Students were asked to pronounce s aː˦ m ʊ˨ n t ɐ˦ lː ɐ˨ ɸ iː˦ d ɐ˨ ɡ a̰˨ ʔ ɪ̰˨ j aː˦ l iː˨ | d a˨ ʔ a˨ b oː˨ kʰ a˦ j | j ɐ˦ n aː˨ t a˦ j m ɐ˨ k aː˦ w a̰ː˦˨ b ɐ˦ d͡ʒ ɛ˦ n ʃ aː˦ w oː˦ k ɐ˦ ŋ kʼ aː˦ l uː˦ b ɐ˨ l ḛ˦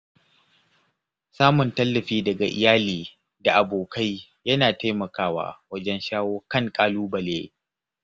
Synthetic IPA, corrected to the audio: s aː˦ m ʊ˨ n t ɐ˦ lː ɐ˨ ɸ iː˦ d ɐ˨ ɡ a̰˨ ʔ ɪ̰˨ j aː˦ l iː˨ | d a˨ ʔ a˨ b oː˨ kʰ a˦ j | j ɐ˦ n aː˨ t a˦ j m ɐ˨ k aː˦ w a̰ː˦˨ w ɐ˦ d͡ʒ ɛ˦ n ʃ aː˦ w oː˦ k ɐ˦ ŋ kʼ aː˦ l uː˦ b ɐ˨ l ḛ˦

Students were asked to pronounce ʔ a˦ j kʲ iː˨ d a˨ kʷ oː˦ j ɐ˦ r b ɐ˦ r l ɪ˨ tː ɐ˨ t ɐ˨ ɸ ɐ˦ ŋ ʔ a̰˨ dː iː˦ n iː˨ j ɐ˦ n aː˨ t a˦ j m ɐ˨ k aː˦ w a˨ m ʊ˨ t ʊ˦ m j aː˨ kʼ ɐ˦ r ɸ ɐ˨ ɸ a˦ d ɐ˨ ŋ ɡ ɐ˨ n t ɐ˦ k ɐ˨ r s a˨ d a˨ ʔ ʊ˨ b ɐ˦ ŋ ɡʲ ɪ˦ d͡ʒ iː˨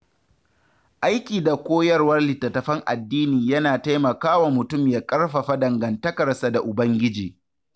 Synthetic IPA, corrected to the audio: ʔ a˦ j kʲ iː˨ d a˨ kʷ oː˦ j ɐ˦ r w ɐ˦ r l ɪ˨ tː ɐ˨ t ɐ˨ ɸ ɐ˦ ŋ ʔ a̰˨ dː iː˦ n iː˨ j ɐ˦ n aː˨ t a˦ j m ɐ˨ k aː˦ w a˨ m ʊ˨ t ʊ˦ m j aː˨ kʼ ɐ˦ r ɸ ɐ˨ ɸ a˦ d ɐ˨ ŋ ɡ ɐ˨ n t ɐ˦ k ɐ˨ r s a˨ d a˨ ʔ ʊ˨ b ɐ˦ ŋ ɡʲ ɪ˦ d͡ʒ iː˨

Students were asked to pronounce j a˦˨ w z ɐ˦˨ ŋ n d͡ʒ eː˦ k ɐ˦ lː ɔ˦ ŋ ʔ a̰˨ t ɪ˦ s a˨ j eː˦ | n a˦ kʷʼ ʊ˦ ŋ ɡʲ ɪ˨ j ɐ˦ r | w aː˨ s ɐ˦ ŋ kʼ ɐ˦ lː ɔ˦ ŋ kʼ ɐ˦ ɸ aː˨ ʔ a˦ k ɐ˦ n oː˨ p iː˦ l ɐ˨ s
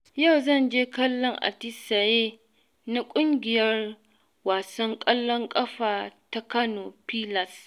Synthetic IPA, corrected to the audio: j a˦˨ w z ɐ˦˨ n d͡ʒ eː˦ k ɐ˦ lː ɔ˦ ŋ ʔ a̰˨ t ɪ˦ s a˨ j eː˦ | n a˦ kʷʼ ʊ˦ ŋ ɡʲ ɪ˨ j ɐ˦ r | w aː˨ s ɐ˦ ŋ kʼ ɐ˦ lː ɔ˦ ŋ kʼ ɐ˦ ɸ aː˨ t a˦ k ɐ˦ n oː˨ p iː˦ l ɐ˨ s

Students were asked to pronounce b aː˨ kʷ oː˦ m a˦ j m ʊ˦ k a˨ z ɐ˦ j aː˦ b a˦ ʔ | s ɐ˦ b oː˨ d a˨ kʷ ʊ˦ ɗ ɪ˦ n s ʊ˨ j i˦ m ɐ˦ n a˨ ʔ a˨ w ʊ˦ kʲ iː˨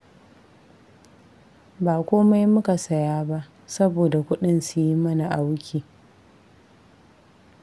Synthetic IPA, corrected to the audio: b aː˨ kʷ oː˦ m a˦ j m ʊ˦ k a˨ s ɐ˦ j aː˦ b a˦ ʔ | s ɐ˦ b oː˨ d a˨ kʷ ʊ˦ ɗ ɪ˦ n s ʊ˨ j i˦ m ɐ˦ n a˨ ʔ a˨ w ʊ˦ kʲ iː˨

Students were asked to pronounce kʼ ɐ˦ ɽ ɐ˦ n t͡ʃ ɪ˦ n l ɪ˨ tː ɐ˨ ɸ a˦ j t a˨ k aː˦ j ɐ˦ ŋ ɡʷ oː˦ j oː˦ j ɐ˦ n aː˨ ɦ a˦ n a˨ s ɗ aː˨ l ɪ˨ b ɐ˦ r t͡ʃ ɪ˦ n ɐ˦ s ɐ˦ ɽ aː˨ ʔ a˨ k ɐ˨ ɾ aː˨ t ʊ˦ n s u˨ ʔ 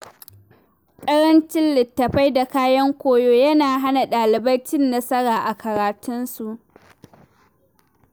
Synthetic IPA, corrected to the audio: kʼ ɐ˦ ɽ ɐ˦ n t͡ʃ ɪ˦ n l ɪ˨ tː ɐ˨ ɸ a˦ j d a˨ k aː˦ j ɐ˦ ŋ kʷ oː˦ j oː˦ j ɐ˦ n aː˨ ɦ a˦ n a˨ ɗ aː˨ l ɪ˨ b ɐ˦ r t͡ʃ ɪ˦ nː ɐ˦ s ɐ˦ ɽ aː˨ ʔ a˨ k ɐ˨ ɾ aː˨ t ʊ˦ n s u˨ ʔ

